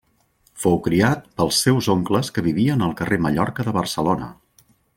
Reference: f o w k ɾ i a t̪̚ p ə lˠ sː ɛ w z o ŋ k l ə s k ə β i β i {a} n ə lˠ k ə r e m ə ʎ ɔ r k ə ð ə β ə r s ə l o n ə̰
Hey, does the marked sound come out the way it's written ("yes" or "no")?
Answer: no